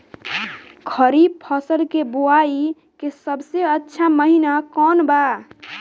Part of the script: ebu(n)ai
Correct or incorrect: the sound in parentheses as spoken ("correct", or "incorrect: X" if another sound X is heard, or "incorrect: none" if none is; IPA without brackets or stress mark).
incorrect: none